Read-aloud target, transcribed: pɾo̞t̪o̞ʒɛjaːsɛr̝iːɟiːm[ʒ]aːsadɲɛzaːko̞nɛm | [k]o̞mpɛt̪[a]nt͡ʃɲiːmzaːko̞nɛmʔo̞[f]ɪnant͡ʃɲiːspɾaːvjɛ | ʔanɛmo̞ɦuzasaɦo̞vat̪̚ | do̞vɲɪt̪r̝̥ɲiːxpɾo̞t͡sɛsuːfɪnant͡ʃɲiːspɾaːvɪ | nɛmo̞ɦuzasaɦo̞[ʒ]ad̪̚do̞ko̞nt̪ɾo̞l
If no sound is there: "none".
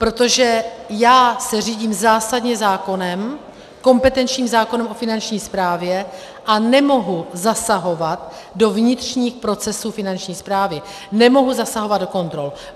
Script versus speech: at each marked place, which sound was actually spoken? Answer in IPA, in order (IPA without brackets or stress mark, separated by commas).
z, k, ɛ, f, v